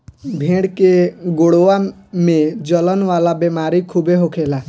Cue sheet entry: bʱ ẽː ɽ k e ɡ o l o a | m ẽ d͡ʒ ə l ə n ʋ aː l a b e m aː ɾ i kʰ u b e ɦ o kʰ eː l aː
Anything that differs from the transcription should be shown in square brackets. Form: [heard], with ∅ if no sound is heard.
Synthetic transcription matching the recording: bʱ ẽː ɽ k e ɡ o [ɽ] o a | m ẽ d͡ʒ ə l ə n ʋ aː l a b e m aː ɾ i kʰ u b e ɦ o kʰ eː l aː

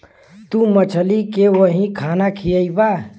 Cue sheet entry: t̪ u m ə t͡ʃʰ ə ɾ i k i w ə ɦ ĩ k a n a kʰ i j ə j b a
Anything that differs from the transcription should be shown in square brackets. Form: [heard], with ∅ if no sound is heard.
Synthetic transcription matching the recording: t̪ u m ə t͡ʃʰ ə [l] i k [e] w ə ɦ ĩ [kʰ] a n a kʰ i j ə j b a

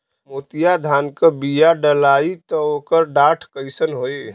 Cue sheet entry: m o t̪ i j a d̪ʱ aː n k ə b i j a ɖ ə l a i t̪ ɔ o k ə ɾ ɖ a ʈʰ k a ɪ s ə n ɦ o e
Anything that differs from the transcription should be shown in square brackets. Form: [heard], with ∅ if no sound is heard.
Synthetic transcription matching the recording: m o t̪ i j a d̪ʱ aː n k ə b i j a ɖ ə l a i t̪ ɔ o k ə ɾ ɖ a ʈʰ k [ə] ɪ s ə n ɦ o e

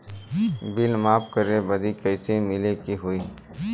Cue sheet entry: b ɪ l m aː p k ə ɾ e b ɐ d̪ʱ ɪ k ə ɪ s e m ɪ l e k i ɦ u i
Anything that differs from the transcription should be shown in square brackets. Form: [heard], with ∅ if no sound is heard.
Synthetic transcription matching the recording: b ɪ l m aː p k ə ɾ e b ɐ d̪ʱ [i] k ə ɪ s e m ɪ l e k i ɦ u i

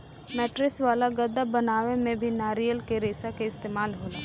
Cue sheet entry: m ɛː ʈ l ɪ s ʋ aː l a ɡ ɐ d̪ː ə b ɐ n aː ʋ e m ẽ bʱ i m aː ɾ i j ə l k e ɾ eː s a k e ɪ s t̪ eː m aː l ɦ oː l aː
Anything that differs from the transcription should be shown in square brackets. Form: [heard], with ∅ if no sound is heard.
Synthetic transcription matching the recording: m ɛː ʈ [ɾ] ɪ s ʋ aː l a ɡ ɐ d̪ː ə b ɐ n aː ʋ e m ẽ bʱ i [n] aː ɾ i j ə l k e ɾ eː s a k e ɪ s t̪ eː m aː l ɦ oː l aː

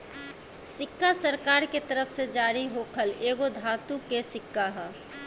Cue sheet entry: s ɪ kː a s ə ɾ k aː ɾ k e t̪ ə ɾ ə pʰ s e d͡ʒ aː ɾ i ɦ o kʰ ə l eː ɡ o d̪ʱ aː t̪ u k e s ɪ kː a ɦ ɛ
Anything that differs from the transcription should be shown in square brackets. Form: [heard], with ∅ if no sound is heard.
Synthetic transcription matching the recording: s ɪ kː a s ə ɾ k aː ɾ k e t̪ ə ɾ ə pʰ s e d͡ʒ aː ɾ i ɦ o kʰ ə l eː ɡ o d̪ʱ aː t̪ u k e s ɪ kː a ɦ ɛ

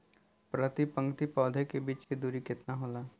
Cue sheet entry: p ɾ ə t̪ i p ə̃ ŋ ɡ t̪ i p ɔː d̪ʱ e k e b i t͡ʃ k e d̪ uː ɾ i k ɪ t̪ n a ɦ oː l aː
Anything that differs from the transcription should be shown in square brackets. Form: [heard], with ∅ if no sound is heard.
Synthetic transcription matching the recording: p ɾ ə t̪ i p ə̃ ŋ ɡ t̪ i p ɔː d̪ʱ e k e b [iː] t͡ʃ k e d̪ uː ɾ i k ɪ t̪ n a ɦ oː l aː

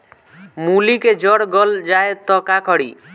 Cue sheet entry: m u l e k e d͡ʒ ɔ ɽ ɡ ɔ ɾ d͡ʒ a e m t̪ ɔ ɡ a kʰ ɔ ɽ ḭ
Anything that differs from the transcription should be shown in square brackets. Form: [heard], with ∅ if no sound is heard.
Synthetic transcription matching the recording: m u l [i] k e d͡ʒ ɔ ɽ ɡ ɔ [l] d͡ʒ a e [∅] t̪ ɔ [k] a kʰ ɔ ɽ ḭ

